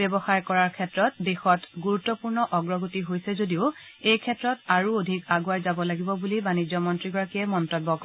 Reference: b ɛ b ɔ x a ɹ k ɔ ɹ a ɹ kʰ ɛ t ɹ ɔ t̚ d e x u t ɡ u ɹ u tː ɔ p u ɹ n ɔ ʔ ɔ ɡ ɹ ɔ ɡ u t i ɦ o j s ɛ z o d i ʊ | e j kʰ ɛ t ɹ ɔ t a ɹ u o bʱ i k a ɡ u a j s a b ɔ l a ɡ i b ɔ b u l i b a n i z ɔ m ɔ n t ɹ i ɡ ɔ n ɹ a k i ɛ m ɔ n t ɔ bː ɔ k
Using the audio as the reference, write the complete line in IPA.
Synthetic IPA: b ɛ b ɔ x a ɹ k ɔ ɹ a ɹ kʰ ɛ t ɹ ɔ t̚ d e x ɔ t ɡ u ɹ u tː ɔ p u ɹ n ɔ ʔ ɔ ɡ ɹ ɔ ɡ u t i ɦ o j s ɛ z o d i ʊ | e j kʰ ɛ t ɹ ɔ t a ɹ u o dʱ i k a ɡ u a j z a b ɔ l a ɡ i b ɔ b u l i b a n i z ɔ m ɔ n t ɹ i ɡ ɔ ɹ a k i ɛ m ɔ n t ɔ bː ɔ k